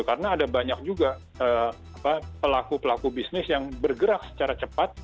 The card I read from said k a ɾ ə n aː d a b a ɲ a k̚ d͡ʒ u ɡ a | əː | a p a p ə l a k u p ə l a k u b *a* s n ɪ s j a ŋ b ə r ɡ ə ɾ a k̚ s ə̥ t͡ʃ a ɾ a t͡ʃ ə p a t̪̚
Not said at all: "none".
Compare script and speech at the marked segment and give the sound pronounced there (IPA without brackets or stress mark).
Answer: i